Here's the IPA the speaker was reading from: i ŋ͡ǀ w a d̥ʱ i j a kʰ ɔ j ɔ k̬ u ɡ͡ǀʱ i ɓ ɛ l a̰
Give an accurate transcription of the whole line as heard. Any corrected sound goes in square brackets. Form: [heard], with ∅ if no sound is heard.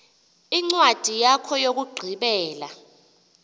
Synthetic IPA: i ŋ͡ǀ w a d̥ʱ i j a kʰ ɔ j [o] k̬ u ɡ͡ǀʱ i ɓ [ɛː] l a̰